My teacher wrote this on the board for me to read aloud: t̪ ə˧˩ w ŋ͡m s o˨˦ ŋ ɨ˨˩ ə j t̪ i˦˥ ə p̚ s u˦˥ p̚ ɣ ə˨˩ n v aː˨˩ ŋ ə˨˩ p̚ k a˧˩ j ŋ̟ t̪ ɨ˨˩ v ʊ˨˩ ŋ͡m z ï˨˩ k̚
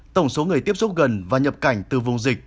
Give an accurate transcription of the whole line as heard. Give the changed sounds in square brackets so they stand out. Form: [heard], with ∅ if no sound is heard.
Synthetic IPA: t̪ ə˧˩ w ŋ͡m s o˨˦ ŋ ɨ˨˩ ə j t̪ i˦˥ ə p̚ s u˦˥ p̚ ɣ ə˨˩ n v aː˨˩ [ɲ] ə˨˩ p̚ k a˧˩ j ŋ̟ t̪ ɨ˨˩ v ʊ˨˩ ŋ͡m z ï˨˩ k̚